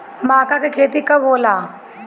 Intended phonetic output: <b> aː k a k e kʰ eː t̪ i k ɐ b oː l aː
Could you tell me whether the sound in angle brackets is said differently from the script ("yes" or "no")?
yes